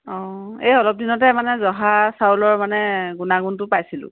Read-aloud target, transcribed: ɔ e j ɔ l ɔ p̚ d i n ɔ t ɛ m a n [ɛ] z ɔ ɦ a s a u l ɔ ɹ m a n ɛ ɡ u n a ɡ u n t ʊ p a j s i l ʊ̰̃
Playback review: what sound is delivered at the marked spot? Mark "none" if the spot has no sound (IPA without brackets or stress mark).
ɛ